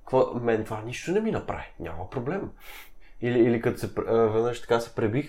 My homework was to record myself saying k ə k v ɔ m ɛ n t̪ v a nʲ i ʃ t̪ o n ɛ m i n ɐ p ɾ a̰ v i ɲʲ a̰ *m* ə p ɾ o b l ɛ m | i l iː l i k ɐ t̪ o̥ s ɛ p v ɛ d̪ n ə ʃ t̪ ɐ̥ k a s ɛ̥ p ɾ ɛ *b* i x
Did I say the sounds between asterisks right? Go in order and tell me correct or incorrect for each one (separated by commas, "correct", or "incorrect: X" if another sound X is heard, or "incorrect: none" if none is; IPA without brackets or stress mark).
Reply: correct, correct